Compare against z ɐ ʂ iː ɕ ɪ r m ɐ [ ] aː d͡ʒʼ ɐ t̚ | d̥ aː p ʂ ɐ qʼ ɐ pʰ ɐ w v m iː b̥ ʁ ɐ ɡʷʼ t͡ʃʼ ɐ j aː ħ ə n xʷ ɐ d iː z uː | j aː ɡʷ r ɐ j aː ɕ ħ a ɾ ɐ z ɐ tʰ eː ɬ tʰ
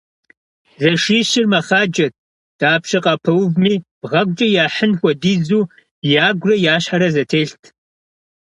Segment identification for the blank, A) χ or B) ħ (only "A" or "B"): A